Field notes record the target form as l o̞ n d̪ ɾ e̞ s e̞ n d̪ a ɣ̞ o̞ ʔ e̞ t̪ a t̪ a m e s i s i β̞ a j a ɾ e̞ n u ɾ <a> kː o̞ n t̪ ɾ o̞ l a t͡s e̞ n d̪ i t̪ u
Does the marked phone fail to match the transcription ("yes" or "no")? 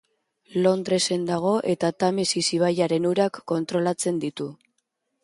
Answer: no